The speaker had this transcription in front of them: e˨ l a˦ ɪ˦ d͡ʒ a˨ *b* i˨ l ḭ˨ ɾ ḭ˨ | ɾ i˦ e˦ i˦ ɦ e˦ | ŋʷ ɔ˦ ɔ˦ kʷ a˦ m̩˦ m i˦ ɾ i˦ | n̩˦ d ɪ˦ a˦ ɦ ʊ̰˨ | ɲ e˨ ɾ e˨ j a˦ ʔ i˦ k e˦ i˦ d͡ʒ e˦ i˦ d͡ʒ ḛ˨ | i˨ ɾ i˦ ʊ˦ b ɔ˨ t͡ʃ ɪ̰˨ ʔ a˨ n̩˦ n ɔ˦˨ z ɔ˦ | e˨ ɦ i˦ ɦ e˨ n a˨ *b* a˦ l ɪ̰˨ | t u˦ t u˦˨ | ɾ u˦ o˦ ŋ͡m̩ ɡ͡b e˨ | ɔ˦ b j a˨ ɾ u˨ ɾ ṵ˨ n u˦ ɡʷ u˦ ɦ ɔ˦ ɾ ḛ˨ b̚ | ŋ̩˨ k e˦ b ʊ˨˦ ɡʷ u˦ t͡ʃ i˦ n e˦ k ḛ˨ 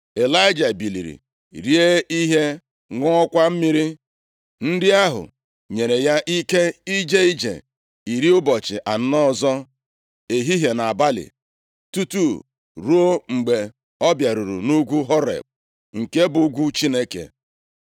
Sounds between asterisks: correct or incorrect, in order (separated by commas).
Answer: correct, correct